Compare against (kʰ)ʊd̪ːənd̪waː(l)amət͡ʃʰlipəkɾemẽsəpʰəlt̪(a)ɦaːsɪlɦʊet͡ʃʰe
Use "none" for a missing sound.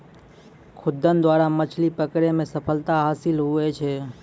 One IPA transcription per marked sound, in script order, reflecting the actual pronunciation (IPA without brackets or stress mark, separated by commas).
kʰ, ɾ, a